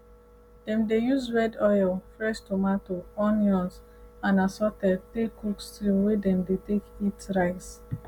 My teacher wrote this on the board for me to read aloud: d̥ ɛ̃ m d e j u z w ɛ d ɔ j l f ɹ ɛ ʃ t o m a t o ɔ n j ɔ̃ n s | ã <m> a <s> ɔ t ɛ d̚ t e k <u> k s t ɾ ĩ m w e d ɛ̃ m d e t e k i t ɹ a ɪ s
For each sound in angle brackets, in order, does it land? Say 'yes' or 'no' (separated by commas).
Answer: no, yes, yes